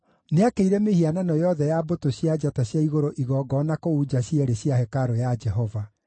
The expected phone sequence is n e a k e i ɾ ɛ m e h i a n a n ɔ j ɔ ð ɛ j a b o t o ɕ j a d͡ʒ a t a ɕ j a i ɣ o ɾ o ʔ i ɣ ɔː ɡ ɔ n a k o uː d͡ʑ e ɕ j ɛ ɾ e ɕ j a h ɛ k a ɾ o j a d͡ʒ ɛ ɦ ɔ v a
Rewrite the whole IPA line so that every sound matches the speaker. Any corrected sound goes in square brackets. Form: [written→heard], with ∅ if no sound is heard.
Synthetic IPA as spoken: n e a k e i ɾ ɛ m e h i a n a n ɔ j ɔ ð ɛ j a b o t o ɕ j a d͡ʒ a t a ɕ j a i ɣ o ɾ o ʔ i ɣ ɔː ɡ ɔ n a k o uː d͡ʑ [e→a] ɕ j ɛ ɾ e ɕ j a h ɛ k a ɾ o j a d͡ʒ ɛ ɦ ɔ v a

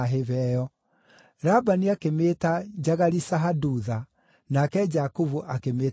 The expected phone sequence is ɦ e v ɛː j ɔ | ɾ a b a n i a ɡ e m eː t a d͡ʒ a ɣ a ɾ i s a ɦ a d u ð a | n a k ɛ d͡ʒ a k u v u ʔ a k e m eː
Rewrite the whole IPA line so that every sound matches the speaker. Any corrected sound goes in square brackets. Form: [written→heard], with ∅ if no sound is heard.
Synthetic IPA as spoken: ɦ e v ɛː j ɔ | ɾ a b a n i a [ɡ→k] e m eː t a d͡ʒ a ɣ a ɾ i s a ɦ a d u ð a | n a k ɛ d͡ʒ a k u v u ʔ a k e m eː

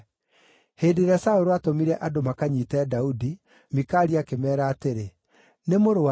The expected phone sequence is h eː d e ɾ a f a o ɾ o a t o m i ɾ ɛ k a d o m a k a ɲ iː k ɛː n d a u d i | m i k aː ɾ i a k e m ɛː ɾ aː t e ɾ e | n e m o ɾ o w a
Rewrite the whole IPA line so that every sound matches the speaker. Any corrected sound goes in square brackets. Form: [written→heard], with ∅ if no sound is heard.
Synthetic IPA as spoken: h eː d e ɾ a [f→s] a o ɾ o a t o m i ɾ ɛ [k→ʔ] a d o m a k a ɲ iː [k→t] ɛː [n→∅] d a u d i | m i k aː ɾ i a k e m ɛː ɾ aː t e ɾ e | n e m o ɾ o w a

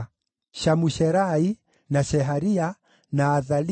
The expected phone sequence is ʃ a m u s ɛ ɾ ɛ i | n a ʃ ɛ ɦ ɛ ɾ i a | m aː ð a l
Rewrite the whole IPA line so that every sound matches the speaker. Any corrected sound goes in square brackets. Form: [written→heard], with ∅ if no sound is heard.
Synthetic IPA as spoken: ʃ a m u [s→ʃ] ɛ ɾ [ɛ→a] i | n a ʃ ɛ ɦ [ɛ→a] ɾ i a | [m→n] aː ð a l

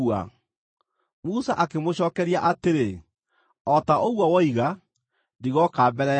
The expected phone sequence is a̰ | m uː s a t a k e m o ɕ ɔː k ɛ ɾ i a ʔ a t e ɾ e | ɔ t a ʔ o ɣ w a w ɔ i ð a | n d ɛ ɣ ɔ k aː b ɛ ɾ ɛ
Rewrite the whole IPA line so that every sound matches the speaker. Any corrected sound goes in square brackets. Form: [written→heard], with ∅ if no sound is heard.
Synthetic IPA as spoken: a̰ | m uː s a [t→ʔ] a k e m o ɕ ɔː k ɛ ɾ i a ʔ a t e ɾ e | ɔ t a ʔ o ɣ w a w ɔ i [ð→ɣ] a | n d [ɛ→i] ɣ ɔ k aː b ɛ ɾ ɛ

